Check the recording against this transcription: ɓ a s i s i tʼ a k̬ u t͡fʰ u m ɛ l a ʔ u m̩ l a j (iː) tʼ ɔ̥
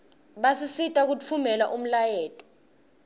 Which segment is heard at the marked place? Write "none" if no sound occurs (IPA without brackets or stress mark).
ɛː